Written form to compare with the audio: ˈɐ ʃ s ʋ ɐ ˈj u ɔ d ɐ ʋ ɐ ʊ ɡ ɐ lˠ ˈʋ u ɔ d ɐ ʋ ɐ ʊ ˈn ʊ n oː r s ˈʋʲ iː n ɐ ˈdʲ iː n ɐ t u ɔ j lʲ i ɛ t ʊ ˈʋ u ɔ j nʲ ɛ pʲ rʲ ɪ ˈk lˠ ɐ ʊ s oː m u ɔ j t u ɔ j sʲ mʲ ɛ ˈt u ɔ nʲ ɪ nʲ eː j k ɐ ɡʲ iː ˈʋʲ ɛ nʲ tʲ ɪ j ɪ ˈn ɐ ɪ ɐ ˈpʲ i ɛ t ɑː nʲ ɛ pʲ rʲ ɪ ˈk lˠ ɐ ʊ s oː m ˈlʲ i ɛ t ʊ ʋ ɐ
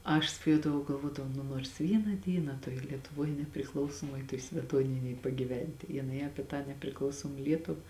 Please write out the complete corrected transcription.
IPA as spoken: ˈɐ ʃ s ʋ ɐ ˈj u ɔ d ɐ ʋ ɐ ʊ ɡ ɐ lˠ ˈʋ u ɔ d ɐ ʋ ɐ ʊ ˈn ʊ n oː r s ˈʋʲ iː n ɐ ˈdʲ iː n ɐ t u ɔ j lʲ i ɛ t ʊ ˈʋ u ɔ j nʲ ɛ pʲ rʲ ɪ ˈk lˠ ɐ ʊ s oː m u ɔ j t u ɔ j sʲ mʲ ɛ ˈt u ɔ nʲ ɪ nʲ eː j p ɐ ɡʲ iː ˈʋʲ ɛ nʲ tʲ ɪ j ɪ ˈn ɐ ɪ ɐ ˈpʲ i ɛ t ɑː nʲ ɛ pʲ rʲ ɪ ˈk lˠ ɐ ʊ s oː m ˈlʲ i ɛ t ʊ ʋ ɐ